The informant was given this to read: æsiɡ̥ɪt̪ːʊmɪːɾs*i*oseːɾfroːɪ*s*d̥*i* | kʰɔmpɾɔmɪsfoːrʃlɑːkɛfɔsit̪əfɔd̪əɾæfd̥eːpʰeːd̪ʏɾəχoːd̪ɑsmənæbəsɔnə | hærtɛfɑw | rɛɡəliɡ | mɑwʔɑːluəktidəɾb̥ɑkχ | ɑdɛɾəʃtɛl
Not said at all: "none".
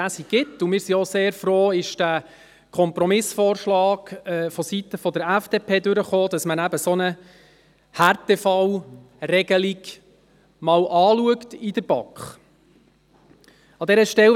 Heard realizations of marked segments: i, ʃ, æ

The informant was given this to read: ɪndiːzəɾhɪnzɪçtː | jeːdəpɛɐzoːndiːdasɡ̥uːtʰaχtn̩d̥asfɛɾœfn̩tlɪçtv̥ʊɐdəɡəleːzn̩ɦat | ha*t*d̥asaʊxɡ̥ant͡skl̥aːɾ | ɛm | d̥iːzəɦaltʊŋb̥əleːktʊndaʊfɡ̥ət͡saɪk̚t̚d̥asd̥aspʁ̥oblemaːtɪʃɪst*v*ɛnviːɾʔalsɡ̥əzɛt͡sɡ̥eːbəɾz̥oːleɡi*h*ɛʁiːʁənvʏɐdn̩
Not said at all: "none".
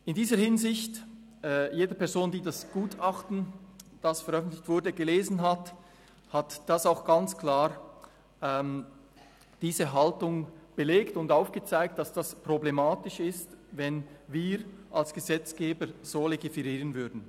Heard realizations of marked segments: t, v, f

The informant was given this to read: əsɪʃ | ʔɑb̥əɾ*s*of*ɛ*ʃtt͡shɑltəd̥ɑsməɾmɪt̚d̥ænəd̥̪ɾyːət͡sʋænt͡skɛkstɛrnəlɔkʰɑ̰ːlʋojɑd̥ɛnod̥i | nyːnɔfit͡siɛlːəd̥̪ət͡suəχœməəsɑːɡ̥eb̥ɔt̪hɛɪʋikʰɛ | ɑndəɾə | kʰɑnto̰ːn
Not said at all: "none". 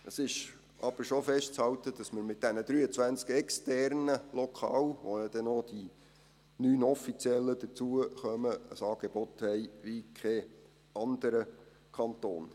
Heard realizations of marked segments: ʃ, ɛ

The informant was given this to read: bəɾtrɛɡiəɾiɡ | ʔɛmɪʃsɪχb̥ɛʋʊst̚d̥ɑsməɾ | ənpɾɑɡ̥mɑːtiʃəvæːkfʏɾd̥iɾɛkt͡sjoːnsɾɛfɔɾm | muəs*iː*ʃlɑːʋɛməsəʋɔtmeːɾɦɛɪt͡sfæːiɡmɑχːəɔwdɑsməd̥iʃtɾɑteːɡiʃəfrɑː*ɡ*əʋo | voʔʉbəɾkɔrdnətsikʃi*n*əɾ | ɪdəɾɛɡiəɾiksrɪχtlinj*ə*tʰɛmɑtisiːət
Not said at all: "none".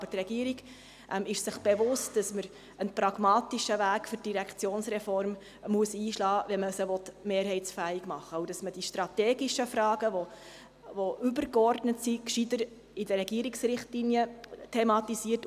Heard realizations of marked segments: iː, ɡ, d, ə

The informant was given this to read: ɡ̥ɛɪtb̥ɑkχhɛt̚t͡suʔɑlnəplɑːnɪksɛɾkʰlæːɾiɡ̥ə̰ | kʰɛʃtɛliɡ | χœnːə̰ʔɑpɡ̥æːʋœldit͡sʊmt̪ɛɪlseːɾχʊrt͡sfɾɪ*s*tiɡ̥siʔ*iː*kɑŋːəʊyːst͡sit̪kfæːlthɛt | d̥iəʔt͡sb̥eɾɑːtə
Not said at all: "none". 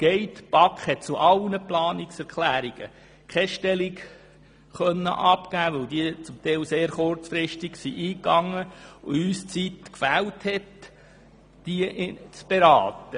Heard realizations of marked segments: ʃ, iː

